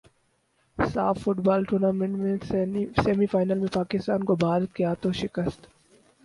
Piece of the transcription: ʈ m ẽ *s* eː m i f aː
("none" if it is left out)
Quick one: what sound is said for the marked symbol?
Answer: s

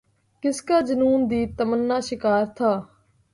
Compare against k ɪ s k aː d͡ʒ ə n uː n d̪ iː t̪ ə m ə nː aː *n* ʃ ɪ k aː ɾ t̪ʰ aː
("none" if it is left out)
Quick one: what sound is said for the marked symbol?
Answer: none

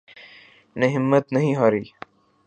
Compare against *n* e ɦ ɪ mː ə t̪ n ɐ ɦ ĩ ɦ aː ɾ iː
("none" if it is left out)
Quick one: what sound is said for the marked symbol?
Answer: n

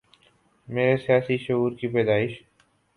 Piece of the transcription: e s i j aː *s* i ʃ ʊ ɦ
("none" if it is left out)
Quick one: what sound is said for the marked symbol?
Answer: s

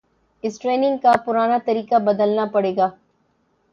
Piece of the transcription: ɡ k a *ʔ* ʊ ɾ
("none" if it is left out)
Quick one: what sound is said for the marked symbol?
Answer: p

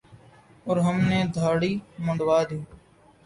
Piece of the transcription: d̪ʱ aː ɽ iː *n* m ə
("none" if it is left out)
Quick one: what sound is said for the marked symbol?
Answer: none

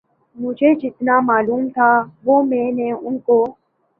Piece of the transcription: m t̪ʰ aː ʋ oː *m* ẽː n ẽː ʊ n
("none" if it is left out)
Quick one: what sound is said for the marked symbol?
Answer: m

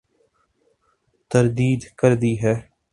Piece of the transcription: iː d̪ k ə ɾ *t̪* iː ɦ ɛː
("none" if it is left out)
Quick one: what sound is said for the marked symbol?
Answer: d̪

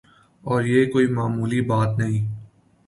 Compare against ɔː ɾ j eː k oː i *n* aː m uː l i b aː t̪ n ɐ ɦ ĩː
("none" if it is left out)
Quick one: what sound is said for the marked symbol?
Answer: m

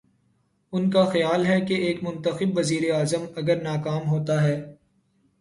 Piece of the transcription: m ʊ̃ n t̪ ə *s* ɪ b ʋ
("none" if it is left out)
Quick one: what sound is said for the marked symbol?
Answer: x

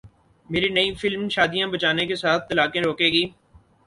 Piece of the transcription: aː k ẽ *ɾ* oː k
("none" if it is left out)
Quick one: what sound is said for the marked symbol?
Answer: ɾ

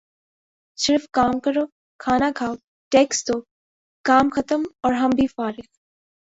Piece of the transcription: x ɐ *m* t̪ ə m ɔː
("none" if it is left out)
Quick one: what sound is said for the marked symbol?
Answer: none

